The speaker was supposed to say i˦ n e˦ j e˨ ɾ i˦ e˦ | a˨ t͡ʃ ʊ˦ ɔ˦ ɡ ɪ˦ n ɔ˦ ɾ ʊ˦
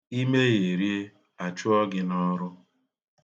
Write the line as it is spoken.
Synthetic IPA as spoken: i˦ m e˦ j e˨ ɾ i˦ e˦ | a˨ t͡ʃ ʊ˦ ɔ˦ ɡ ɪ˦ n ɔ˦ ɾ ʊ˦